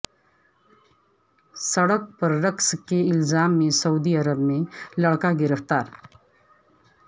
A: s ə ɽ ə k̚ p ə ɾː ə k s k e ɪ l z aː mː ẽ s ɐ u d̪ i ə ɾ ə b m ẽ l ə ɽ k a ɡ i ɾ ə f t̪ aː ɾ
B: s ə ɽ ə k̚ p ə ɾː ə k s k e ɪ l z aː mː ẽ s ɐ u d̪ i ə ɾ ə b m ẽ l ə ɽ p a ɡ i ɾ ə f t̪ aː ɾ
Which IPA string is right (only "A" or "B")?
A